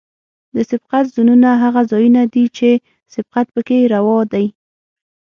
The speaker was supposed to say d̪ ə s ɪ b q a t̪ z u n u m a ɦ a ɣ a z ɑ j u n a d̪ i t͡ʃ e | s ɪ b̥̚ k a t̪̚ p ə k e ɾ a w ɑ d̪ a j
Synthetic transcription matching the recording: d̪ ə s ɪ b q a t̪ z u n u n a ɦ a ɣ a z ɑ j u n a d̪ i t͡ʃ e | s ɪ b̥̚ q a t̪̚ p ə k e ɾ a w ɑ d̪ a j